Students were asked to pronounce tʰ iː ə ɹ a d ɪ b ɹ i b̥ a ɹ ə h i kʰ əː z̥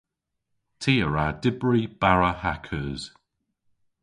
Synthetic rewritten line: tʰ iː ə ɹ a d ɪ b ɹ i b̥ a ɹ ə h a kʰ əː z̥